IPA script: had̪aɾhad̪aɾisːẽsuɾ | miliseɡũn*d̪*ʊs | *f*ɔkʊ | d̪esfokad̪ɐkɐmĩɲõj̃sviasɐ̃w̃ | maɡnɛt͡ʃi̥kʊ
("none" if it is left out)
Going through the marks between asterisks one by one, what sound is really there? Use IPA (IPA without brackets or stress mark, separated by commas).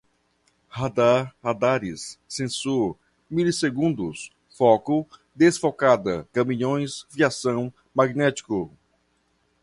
d̪, f